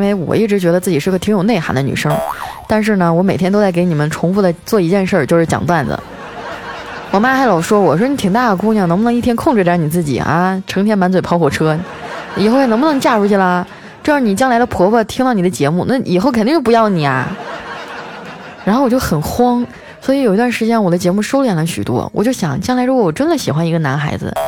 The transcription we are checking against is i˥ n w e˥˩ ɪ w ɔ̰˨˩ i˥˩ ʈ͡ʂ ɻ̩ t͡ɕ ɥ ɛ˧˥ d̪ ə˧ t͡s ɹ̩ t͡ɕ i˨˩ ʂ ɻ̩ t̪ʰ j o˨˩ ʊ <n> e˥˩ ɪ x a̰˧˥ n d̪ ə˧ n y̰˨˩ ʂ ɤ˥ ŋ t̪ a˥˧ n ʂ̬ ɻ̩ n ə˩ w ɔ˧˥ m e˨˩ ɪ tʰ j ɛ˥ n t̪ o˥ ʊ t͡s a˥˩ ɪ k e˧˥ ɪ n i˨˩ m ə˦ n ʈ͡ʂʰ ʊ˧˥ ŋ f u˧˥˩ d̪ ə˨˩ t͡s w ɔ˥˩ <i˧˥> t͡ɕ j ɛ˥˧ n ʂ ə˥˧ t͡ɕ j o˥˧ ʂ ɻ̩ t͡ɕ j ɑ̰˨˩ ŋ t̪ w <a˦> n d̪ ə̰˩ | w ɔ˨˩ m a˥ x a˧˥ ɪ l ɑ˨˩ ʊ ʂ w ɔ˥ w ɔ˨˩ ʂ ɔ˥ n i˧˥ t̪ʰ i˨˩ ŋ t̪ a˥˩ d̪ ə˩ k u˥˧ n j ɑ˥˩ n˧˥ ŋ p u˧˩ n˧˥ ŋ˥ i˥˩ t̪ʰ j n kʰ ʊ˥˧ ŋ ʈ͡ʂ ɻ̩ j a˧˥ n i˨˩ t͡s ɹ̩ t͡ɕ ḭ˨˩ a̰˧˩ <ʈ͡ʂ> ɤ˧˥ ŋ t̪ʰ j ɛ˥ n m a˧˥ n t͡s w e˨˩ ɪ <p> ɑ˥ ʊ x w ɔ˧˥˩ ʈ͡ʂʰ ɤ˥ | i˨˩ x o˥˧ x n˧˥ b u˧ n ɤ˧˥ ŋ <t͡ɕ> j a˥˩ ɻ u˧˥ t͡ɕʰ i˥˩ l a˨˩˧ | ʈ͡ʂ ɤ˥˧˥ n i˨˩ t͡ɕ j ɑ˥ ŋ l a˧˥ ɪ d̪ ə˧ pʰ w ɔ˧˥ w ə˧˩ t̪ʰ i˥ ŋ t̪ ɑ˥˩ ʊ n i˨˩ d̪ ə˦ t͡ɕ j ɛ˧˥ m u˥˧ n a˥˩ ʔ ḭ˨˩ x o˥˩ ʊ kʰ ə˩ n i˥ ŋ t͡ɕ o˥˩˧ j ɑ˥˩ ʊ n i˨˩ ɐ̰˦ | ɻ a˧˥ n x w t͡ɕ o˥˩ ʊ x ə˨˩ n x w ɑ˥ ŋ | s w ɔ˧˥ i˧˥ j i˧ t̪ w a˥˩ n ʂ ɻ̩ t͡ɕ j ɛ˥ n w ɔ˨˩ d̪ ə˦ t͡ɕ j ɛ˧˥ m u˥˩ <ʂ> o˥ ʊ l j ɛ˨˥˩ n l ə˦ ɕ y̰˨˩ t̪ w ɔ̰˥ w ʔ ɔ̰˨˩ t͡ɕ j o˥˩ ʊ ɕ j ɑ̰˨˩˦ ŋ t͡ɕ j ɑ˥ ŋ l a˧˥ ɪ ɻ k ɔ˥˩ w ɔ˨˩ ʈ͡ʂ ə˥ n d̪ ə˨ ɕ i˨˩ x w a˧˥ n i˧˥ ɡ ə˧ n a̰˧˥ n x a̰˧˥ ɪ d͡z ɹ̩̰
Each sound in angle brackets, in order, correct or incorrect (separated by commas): correct, correct, incorrect, incorrect, incorrect, correct, correct